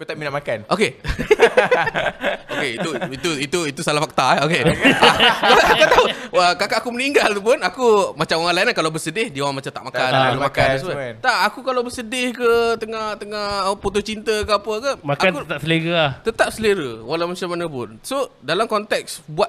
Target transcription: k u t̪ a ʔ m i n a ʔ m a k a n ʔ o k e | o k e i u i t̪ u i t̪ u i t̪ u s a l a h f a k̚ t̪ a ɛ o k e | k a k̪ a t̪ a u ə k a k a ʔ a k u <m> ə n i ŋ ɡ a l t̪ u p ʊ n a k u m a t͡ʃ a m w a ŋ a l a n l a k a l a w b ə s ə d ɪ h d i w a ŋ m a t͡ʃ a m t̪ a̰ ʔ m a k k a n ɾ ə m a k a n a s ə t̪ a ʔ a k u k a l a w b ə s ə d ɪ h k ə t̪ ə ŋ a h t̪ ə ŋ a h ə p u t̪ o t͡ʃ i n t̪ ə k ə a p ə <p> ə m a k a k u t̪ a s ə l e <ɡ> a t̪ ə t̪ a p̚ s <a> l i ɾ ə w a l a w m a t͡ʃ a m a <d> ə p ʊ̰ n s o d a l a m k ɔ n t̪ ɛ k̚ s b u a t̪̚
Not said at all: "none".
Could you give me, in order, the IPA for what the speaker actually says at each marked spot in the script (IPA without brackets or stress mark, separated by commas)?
m, k, ɡ, ə, n